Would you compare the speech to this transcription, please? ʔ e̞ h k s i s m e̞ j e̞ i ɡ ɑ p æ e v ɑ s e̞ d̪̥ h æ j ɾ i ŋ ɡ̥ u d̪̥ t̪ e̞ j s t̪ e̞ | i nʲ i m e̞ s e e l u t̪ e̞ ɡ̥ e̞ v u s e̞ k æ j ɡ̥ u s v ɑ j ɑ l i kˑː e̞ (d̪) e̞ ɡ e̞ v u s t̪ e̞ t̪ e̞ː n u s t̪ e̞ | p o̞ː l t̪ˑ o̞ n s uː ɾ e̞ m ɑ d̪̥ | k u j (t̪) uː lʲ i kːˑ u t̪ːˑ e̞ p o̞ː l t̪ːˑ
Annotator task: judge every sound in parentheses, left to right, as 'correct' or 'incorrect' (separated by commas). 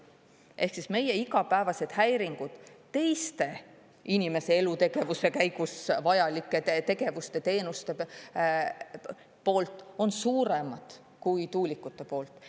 incorrect, correct